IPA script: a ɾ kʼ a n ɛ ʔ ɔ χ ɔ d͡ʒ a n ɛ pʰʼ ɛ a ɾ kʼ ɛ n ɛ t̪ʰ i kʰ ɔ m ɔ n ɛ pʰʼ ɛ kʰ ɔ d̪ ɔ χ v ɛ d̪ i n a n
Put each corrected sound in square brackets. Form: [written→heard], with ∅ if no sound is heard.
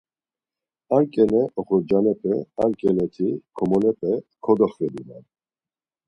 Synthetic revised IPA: a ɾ kʼ [a→ɛ] n ɛ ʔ ɔ χ ɔ d͡ʒ a n ɛ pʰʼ ɛ a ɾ kʼ ɛ n ɛ t̪ʰ i kʰ ɔ m ɔ n ɛ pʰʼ ɛ kʰ ɔ d̪ ɔ χ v ɛ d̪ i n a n

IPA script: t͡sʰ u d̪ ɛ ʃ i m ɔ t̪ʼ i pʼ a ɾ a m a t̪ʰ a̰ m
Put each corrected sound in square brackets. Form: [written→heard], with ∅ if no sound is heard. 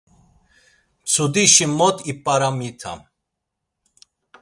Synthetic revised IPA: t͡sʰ u d̪ [ɛ→i] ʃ i m ɔ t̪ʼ i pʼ a ɾ a m [a→i] t̪ʰ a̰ m

